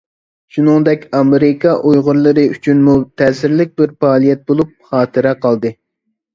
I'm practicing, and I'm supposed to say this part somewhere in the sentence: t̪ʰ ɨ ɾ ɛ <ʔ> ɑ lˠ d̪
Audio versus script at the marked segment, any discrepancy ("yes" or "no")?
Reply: yes